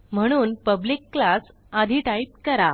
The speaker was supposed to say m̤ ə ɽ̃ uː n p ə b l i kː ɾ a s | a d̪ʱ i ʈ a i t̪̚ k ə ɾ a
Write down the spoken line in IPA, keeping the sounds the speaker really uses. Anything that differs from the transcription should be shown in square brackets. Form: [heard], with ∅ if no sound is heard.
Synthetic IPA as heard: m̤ ə ɽ̃ uː n p ə b l i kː [l] a s | a d̪ʱ i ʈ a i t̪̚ k ə ɾ a